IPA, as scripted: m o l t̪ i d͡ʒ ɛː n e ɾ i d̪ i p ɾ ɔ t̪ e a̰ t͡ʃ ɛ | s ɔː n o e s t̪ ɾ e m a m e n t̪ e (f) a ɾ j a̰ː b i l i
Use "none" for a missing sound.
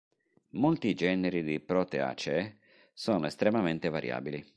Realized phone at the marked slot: v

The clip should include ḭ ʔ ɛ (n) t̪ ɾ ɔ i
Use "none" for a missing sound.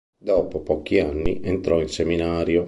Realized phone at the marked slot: n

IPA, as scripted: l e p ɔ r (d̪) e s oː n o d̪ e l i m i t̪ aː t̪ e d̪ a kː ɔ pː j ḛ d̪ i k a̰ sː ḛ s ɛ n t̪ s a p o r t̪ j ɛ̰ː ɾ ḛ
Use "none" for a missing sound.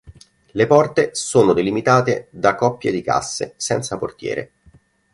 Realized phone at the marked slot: t̪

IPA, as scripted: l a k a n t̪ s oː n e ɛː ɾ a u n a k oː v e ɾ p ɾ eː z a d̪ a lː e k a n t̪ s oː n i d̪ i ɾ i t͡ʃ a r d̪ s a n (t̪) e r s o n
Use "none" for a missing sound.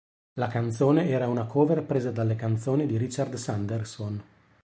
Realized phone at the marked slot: d̪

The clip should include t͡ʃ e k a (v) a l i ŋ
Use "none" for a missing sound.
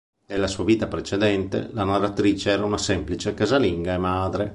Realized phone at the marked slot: z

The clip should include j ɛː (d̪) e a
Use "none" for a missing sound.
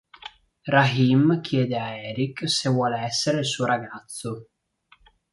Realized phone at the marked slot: d̪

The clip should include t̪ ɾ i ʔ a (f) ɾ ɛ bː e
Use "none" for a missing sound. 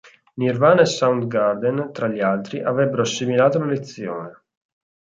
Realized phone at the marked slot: v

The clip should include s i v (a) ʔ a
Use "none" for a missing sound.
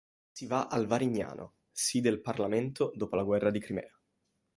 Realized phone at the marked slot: a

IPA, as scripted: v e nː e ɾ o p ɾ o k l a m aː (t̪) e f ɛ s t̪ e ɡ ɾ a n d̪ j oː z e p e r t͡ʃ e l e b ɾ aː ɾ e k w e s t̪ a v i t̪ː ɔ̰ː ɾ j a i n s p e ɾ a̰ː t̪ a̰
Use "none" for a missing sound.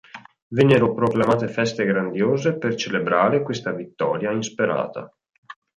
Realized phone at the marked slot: t̪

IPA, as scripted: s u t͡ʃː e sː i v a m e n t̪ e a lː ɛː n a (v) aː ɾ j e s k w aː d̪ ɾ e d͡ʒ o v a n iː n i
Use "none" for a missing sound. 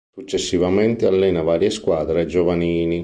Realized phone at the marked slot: v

